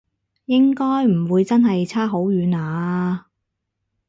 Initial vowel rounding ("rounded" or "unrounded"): unrounded